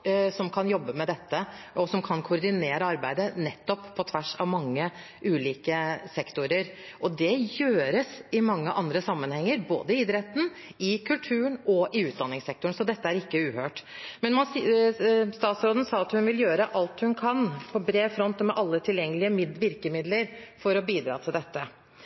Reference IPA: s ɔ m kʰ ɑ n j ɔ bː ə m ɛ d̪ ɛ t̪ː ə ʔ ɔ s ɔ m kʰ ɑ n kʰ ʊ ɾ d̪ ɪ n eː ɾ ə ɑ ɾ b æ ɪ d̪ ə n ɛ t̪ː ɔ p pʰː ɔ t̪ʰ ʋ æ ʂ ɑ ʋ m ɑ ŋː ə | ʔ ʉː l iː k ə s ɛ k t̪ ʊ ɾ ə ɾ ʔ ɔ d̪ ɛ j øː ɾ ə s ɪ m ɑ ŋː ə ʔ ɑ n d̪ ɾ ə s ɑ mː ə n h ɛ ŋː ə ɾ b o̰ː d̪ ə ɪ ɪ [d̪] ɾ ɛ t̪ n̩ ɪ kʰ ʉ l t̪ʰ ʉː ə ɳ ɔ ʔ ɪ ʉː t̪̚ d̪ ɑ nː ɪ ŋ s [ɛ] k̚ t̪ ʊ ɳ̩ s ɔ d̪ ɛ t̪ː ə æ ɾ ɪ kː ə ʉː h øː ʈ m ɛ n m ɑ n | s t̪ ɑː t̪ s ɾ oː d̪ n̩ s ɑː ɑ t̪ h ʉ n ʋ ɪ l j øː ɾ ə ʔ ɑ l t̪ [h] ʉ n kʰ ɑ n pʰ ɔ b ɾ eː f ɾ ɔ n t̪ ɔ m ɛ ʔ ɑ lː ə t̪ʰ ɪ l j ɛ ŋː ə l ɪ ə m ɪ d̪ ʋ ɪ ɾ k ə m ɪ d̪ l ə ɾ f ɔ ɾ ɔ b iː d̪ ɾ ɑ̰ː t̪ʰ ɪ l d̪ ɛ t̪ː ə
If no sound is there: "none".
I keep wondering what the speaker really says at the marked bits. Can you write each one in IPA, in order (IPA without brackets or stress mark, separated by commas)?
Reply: d̪, ɛ, h